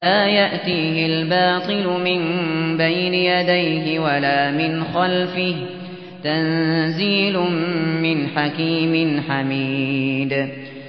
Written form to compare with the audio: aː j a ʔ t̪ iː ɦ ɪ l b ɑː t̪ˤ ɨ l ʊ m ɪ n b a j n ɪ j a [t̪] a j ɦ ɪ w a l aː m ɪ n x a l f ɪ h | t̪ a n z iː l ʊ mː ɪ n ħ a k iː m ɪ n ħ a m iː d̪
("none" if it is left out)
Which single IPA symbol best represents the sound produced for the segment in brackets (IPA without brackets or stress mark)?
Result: d̪